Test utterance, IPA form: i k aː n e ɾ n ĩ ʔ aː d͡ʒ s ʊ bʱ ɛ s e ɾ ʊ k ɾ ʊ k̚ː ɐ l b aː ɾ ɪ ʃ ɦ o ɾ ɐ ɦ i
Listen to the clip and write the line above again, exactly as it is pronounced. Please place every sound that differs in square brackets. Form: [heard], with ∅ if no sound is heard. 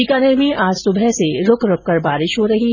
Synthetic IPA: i k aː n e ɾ [m] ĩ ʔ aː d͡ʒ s ʊ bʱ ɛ s e ɾ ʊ k ɾ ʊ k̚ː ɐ [ɾ] b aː ɾ ɪ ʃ ɦ o ɾ ɐ ɦ i